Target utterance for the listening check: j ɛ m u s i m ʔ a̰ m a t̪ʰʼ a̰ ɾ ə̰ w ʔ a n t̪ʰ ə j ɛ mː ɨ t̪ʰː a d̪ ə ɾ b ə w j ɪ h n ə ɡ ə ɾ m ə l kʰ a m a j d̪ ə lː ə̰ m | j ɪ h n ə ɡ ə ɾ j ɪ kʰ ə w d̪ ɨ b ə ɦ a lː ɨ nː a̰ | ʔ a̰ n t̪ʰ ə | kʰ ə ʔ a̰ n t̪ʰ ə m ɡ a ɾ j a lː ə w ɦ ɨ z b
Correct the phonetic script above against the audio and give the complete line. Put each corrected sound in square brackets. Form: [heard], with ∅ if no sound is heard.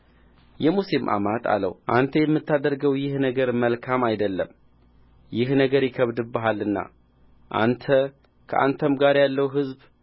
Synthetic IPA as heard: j ɛ m u s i m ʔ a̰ m a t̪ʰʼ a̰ [l] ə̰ w ʔ a n t̪ʰ ə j ɛ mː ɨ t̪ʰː a d̪ ə ɾ [ɡ] ə w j ɪ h n ə ɡ ə ɾ m ə l kʰ a m a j d̪ ə lː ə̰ m | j ɪ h n ə ɡ ə ɾ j ɪ kʰ ə [β] d̪ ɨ b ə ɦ a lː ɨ nː a̰ | ʔ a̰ n t̪ʰ ə | kʰ ə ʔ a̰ n t̪ʰ ə m ɡ a ɾ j a lː ə w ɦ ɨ z b

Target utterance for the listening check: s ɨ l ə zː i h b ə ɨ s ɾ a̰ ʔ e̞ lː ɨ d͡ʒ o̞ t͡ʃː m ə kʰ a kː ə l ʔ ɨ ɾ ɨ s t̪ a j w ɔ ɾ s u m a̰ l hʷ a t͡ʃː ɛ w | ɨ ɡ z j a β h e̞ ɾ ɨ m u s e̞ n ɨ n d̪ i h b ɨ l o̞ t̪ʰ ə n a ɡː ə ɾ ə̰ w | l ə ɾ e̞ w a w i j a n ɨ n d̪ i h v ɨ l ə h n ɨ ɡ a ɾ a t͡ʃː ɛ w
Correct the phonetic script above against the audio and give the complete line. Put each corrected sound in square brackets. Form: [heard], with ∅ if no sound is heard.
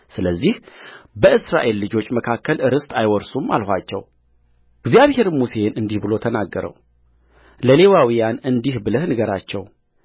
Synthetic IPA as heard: s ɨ l ə zː i h b ə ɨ s ɾ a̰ ʔ e̞ lː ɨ d͡ʒ o̞ t͡ʃː m ə kʰ a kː ə l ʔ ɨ ɾ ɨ s t̪ a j w ɔ ɾ s u m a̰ l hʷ a t͡ʃː ɛ w | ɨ ɡ z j a β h e̞ ɾ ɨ m u s e̞ n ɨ n d̪ i h b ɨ l o̞ t̪ʰ ə n a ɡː ə ɾ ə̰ w | l ə [l] e̞ w a w i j a n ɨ n d̪ i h [b] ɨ l ə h n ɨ ɡ [ə] ɾ a t͡ʃː ɛ w

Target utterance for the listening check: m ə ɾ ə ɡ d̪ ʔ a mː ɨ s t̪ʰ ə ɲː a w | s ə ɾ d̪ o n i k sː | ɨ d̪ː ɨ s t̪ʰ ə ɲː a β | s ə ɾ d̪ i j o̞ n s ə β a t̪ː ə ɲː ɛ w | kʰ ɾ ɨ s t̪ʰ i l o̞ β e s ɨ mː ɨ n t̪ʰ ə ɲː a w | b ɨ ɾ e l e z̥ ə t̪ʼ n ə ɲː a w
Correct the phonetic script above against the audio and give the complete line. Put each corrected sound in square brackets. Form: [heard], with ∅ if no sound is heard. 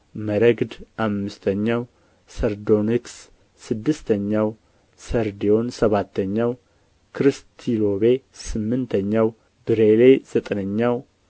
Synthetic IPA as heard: m ə ɾ ə ɡ d̪ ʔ a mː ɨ s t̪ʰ ə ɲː a w | s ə ɾ d̪ o n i k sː | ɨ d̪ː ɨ s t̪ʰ ə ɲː a [w] | s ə ɾ d̪ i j o̞ n s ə β a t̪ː ə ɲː [a] w | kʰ ɾ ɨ s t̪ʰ i l o̞ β e s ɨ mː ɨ n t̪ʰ ə ɲː a w | b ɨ ɾ e l e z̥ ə t̪ʼ n ə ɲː a w

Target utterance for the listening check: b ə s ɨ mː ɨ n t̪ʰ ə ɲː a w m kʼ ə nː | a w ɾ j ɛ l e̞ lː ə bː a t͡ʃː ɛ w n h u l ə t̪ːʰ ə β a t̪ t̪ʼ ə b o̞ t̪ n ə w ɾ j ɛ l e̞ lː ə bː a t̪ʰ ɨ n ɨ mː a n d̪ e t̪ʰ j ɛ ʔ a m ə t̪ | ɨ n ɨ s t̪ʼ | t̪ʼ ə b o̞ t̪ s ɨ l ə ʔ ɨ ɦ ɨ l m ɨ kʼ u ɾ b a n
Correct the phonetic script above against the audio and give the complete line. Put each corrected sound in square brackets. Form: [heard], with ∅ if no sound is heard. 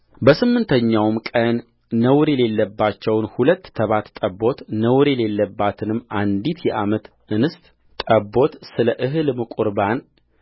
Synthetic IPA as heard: b ə s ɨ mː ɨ n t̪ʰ ə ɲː a w m kʼ ə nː | [ə] w ɾ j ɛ l e̞ lː ə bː a t͡ʃː ɛ w n h u l ə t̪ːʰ ə β a t̪ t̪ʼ ə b o̞ t̪ n ə w ɾ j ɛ l e̞ lː ə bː a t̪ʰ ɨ n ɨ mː a n d̪ [i] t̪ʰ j ɛ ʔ a m ə t̪ | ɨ n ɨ s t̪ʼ | t̪ʼ ə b o̞ t̪ s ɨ l ə ʔ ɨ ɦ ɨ l m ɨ kʼ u ɾ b a n

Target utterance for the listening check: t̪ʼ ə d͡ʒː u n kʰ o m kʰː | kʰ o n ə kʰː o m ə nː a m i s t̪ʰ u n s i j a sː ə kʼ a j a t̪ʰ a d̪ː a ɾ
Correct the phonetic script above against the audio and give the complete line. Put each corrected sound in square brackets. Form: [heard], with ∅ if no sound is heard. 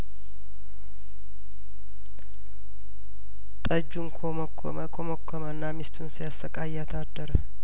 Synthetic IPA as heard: t̪ʼ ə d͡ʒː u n kʰ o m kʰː | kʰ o [m] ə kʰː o m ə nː a m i s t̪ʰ u n s i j a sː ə kʼ a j a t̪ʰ a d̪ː [ə] ɾ

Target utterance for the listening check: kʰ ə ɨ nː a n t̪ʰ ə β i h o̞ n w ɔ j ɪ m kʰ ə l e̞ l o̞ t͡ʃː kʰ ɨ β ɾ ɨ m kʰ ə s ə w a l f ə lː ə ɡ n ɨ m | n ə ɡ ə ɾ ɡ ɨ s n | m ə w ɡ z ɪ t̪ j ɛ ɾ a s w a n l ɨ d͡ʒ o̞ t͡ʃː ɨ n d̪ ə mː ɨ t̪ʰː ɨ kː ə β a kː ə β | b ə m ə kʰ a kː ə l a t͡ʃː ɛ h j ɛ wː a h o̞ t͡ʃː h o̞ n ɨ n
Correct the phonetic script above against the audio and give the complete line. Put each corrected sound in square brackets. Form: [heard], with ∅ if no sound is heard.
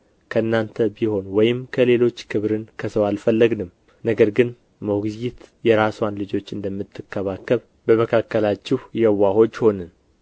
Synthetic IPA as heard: kʰ ə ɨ nː a n t̪ʰ ə [b] i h o̞ n w ɔ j ɪ m kʰ ə l e̞ l o̞ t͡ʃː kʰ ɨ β ɾ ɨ [n] kʰ ə s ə w a l f ə lː ə ɡ n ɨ m | n ə ɡ ə ɾ ɡ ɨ [∅] n | m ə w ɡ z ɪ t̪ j ɛ ɾ a s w a n l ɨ d͡ʒ o̞ t͡ʃː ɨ n d̪ ə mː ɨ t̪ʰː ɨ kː ə β a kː ə β | b ə m ə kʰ a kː ə l a t͡ʃː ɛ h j ɛ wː a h o̞ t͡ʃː h o̞ n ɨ n

